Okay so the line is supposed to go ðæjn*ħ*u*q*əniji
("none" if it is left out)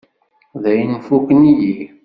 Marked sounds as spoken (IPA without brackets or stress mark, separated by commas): f, k